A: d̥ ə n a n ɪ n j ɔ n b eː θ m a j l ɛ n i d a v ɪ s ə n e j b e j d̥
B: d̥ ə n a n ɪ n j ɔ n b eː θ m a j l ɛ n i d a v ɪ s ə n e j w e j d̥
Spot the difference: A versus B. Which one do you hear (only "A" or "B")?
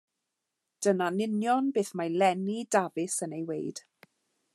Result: B